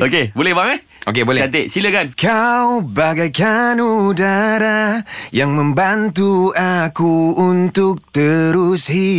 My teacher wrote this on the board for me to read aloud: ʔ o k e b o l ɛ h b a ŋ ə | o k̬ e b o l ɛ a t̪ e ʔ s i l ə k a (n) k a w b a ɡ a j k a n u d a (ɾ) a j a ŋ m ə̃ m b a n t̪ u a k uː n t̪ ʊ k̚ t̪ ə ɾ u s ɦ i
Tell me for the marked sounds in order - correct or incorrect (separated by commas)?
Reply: correct, correct